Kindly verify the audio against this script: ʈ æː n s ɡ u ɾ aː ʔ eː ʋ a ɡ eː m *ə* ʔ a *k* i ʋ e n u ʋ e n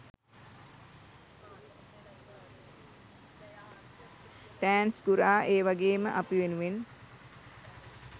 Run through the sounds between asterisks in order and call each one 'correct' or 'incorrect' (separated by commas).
correct, incorrect